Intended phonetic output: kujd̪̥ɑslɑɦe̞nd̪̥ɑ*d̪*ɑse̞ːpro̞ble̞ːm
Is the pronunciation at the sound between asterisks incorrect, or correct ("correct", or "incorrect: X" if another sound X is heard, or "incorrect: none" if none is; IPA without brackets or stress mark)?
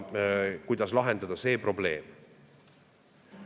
correct